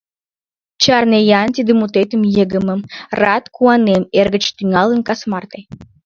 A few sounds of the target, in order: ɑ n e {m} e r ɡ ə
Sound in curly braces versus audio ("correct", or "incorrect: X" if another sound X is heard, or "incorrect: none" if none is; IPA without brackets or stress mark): correct